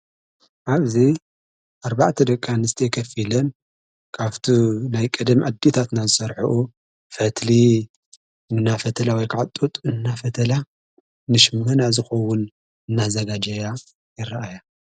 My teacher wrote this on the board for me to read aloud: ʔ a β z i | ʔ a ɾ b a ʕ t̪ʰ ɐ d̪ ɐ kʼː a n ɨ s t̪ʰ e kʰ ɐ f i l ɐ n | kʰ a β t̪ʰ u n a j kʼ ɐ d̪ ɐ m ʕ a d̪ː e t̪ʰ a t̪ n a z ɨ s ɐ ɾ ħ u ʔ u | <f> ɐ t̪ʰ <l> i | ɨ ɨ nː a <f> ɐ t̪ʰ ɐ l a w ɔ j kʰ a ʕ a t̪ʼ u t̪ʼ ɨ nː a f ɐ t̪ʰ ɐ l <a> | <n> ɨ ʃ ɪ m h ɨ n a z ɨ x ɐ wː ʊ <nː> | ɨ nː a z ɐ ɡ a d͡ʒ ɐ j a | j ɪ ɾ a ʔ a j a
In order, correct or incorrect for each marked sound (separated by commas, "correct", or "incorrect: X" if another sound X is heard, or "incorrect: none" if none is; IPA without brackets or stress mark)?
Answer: correct, correct, correct, correct, correct, incorrect: n